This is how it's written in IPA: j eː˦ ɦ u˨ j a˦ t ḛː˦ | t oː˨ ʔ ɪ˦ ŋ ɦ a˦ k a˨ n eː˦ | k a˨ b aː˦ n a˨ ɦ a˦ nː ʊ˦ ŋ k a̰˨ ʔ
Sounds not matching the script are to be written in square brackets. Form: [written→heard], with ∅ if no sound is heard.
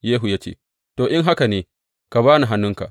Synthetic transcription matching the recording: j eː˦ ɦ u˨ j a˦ [t→t͡ʃ] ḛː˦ | t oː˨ ʔ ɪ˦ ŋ ɦ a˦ k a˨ n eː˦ | k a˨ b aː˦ n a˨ ɦ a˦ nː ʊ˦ ŋ k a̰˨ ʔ